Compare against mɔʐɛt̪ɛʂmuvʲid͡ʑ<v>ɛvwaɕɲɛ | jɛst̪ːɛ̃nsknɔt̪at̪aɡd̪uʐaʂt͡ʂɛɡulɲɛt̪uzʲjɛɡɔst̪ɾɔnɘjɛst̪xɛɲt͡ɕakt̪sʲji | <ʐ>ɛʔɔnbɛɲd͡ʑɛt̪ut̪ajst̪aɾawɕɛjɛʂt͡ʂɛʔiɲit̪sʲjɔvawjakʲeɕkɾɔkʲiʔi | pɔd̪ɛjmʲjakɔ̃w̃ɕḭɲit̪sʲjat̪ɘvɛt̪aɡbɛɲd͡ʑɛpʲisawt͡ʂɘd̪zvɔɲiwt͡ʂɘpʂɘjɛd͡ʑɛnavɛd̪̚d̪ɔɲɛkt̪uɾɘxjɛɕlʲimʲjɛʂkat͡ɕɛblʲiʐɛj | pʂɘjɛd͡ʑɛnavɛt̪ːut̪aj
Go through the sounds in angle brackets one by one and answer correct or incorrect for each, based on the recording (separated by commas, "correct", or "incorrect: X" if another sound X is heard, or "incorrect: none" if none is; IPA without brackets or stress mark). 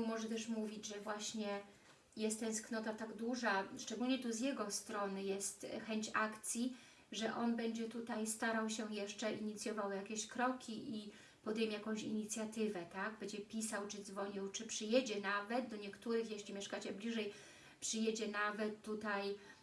incorrect: ʐ, correct